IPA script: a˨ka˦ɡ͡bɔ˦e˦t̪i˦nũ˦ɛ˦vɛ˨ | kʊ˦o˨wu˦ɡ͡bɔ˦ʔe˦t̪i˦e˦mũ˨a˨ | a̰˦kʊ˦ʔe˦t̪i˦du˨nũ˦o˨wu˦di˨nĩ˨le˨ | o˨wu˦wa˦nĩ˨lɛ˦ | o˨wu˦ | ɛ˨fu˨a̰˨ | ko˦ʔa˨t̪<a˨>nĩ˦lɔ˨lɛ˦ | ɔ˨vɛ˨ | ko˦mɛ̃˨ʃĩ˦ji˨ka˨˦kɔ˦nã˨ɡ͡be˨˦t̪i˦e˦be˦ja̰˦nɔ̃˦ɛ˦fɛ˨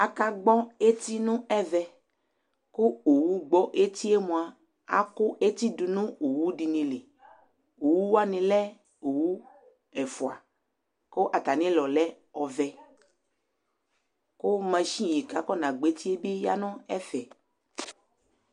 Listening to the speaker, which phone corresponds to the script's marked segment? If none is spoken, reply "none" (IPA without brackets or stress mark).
a˨